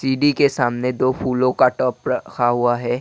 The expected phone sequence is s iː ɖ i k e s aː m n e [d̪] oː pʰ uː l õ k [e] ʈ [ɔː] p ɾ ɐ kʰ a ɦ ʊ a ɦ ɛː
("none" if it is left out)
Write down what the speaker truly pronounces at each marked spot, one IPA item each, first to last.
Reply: d̪, a, ɔː

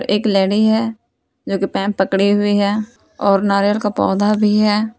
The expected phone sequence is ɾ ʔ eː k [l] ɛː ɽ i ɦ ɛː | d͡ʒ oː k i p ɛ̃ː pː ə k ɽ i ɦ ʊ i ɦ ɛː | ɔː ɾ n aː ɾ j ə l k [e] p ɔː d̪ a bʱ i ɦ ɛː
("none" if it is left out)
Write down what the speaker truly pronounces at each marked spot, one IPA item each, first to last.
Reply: l, a

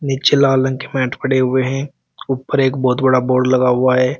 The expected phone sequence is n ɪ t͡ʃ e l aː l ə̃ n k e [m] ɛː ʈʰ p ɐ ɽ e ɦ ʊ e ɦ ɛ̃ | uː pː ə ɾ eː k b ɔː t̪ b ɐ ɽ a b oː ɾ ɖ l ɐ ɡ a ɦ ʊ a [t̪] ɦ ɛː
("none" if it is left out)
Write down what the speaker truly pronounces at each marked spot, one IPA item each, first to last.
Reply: m, none

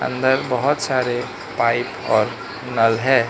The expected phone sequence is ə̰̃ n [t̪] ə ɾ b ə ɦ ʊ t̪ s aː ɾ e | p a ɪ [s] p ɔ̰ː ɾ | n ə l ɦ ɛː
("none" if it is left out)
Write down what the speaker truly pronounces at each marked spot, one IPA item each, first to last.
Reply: d̪, none

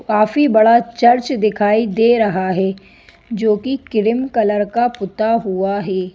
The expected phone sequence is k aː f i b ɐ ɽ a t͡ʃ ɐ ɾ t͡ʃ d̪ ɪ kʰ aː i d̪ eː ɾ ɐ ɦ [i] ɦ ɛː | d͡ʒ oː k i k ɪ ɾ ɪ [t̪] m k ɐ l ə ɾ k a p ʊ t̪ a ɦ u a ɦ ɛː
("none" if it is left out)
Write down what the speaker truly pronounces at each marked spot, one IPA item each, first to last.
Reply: a, none

